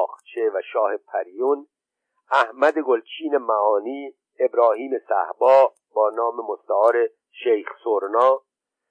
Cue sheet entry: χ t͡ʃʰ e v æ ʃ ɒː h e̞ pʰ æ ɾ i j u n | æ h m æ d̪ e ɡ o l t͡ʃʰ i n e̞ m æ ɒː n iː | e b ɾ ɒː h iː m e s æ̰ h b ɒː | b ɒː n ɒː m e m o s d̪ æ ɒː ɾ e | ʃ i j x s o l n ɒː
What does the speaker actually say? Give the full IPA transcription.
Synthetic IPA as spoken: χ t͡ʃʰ e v æ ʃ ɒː h e̞ pʰ æ ɾ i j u n | æ h m æ d̪ e ɡ o l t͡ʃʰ iː n e̞ m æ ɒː n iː | e b ɾ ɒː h iː m e s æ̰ h b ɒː | b ɒː n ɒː m e m o s t̪ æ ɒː ɾ e | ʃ e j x s o ɾ n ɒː